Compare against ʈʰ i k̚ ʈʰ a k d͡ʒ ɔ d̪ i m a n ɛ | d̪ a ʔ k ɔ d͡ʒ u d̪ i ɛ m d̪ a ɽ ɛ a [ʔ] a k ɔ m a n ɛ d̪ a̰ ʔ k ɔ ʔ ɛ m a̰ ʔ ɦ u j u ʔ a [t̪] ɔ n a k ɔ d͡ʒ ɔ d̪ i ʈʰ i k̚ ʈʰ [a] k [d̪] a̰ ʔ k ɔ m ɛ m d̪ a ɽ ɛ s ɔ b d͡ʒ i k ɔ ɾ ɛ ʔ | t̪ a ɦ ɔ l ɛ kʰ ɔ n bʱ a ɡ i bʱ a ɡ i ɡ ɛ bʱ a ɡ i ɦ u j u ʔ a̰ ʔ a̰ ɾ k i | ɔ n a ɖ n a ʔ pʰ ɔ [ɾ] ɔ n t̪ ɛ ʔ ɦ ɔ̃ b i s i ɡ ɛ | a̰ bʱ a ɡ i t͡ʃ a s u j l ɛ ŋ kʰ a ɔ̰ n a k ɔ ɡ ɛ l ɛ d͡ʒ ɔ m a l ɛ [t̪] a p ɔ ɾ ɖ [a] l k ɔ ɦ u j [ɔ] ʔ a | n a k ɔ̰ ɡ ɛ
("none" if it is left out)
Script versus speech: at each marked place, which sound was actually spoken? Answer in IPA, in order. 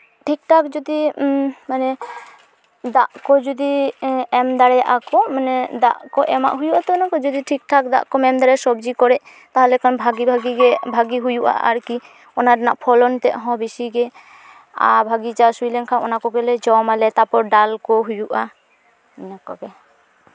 ʔ, t̪, a, d̪, l, t̪, a, u

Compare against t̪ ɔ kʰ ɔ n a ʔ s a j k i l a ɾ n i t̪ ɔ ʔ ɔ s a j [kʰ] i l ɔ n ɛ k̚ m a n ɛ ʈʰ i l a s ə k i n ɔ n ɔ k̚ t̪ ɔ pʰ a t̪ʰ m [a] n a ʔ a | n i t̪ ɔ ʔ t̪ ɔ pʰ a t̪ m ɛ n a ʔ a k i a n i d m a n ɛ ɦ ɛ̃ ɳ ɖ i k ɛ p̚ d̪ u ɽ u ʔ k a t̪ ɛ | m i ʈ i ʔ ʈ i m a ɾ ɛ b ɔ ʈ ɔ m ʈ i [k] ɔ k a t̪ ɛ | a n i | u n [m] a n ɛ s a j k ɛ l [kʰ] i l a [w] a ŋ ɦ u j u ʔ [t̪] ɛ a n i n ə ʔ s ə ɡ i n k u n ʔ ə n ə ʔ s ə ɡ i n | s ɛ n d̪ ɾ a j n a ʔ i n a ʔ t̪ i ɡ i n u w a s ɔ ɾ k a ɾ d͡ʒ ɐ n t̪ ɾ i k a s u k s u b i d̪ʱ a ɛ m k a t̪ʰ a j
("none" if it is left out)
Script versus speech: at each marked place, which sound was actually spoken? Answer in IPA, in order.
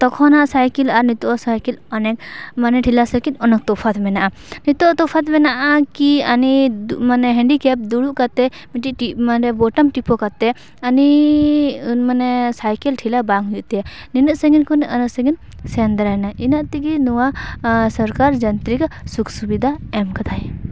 k, ɛ, p, m, ʈʰ, b, t̪

